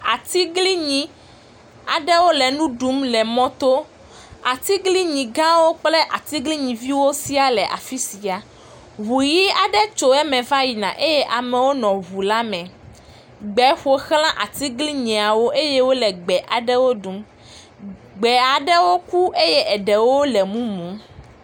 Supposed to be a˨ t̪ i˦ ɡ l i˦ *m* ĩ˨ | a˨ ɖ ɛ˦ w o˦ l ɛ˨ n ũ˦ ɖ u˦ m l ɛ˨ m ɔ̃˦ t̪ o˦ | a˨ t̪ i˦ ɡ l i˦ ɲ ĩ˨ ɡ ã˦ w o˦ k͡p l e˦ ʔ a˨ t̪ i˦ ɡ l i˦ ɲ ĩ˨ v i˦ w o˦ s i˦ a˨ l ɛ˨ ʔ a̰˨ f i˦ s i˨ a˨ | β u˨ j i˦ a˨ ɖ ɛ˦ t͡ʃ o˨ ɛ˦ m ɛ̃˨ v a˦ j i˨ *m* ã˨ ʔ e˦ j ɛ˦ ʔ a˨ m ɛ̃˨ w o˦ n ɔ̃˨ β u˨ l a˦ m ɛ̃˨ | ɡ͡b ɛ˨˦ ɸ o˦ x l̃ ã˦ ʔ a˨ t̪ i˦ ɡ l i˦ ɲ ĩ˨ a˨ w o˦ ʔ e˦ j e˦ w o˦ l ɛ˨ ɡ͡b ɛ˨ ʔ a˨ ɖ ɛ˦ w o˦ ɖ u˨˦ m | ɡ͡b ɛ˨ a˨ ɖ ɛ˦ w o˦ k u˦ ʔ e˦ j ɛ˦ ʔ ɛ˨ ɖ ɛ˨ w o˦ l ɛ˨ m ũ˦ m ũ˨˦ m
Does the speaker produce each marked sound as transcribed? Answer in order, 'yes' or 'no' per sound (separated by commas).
no, no